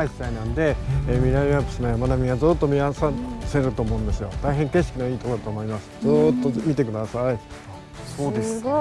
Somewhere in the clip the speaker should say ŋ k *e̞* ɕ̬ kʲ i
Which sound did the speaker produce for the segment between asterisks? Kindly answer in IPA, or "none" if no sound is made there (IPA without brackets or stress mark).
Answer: e̞